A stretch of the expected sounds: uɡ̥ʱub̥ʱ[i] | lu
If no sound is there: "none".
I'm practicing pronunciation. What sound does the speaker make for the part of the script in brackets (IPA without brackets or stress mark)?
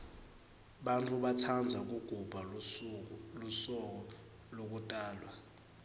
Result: a